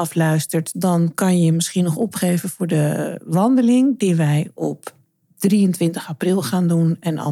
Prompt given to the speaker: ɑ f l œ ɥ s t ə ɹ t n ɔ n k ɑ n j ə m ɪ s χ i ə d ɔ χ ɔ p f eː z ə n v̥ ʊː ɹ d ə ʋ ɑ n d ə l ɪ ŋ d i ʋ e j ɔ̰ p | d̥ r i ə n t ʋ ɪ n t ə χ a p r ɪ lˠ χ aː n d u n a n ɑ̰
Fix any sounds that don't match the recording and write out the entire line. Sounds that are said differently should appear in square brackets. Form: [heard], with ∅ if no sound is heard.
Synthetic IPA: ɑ f l œ ɥ s t ə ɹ t [d] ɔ n k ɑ n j ə m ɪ s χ i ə [n] ɔ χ ɔ p [χ] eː [v] ə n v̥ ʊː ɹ d ə ʋ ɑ n d ə l ɪ ŋ d i ʋ [ɛ] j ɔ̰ p | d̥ r i ə n t ʋ ɪ n t ə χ a p r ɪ lˠ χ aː n d u n [ɛ] n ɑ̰